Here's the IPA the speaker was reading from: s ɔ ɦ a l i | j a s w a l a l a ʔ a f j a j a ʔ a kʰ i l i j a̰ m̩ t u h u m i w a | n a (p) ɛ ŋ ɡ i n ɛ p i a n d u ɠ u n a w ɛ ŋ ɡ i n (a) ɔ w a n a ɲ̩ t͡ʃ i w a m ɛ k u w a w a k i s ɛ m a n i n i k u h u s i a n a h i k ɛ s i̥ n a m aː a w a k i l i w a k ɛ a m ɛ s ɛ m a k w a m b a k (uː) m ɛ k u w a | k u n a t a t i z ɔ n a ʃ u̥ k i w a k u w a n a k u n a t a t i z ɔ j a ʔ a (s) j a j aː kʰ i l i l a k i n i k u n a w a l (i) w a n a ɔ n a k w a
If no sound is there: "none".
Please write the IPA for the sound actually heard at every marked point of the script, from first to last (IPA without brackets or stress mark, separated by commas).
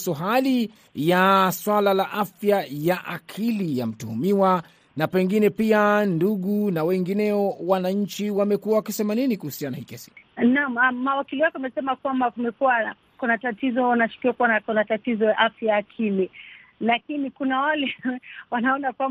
p, ɛ, u, f, ɛ